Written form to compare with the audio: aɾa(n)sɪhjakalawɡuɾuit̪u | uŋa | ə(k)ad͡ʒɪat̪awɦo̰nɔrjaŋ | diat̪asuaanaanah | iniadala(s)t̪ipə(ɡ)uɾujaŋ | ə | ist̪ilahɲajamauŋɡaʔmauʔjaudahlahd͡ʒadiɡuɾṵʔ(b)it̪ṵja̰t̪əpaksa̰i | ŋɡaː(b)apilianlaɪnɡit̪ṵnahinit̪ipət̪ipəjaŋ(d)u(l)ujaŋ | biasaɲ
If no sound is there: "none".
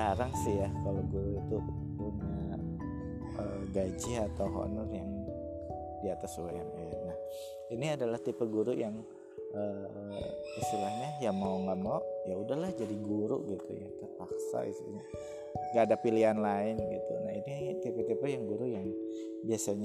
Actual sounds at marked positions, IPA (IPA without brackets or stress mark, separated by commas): ŋ, ɡ, h, ɡ, ɡ, d, ɡ, ɾ